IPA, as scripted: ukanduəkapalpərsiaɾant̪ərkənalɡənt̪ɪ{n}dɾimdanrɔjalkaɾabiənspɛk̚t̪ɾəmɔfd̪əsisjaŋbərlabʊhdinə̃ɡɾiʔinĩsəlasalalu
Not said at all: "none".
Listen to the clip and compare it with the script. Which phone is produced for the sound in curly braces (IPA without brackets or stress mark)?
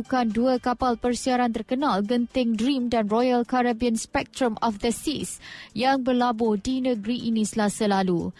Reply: ŋ